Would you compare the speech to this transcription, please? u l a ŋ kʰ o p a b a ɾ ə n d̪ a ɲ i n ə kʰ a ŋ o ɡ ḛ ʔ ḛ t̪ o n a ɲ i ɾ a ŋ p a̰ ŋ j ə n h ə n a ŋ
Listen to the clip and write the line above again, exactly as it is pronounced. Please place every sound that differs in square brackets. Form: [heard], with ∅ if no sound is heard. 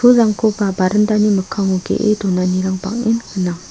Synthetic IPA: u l a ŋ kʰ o p a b a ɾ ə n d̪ a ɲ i [m] ə kʰ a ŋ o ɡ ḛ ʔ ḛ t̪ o n a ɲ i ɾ a ŋ p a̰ ŋ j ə n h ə n a ŋ